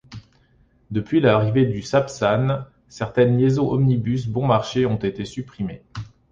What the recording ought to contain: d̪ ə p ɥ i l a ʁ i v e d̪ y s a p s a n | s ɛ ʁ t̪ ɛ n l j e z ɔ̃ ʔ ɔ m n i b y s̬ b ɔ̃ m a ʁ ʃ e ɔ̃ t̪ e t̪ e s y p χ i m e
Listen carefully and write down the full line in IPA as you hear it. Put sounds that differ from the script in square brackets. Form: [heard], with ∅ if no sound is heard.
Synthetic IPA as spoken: d̪ ə p ɥ i l a ʁ i v e d̪ y s a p s a n | s ɛ ʁ t̪ ɛ n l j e z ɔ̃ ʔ ɔ m n i b y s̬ b ɔ̃ m a ʁ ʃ e ɔ̃ t̪ e t̪ e s y p χ i m e